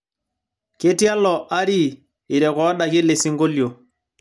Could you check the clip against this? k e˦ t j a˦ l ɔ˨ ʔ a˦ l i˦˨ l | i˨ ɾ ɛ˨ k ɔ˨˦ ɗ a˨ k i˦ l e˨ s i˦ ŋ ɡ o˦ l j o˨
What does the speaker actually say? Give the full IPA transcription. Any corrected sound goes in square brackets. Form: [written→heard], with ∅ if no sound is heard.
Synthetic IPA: k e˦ t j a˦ l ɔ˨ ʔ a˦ [l→ɾ] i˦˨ [l→∅] | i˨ ɾ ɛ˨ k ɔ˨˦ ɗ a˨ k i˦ l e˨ s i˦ ŋ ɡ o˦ l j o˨